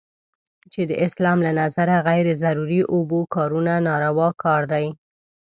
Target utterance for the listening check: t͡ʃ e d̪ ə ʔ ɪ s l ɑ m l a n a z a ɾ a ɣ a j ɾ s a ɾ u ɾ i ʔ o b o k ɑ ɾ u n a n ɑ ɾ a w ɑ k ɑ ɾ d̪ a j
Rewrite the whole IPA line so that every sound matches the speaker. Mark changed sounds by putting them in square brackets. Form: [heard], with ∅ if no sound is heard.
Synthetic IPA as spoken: t͡ʃ e d̪ ə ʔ ɪ s l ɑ m l a n a z a ɾ a ɣ a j ɾ [z] a ɾ u ɾ i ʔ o b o k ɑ ɾ u n a n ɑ ɾ a w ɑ k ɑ ɾ d̪ a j